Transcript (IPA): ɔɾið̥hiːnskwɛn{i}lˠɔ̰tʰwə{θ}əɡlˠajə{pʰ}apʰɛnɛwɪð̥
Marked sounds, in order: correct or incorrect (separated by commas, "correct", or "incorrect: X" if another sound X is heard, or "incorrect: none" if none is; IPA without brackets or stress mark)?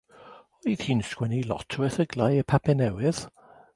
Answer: correct, correct, correct